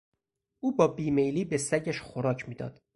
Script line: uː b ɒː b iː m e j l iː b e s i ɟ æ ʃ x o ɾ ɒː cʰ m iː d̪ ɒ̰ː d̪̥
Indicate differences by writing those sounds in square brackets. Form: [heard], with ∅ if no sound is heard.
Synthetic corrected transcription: uː b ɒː b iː m e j l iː b e s [æ] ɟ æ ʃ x o ɾ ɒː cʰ m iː d̪ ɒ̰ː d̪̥